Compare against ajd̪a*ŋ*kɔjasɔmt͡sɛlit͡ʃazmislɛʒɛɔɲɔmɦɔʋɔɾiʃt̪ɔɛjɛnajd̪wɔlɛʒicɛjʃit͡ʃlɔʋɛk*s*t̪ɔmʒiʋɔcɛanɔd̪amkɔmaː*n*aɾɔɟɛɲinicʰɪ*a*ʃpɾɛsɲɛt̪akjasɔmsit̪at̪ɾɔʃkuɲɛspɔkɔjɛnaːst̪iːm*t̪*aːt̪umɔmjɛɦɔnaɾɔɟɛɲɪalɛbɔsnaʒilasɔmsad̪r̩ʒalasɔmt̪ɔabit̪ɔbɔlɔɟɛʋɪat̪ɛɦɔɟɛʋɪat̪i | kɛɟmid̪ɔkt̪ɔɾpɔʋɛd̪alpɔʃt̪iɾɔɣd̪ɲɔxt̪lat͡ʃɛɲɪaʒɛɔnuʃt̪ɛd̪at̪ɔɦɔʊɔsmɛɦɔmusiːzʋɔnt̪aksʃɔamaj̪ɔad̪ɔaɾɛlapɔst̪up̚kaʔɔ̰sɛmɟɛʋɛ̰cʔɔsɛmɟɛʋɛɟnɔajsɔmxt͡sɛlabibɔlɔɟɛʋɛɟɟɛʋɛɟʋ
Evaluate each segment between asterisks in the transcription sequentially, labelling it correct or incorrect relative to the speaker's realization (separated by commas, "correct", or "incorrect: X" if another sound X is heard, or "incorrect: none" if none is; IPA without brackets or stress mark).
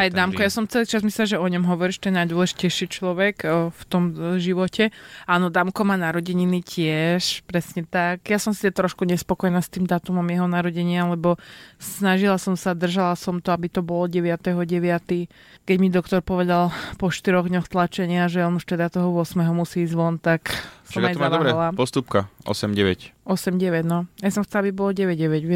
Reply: incorrect: m, incorrect: f, correct, incorrect: ɛ, incorrect: d̪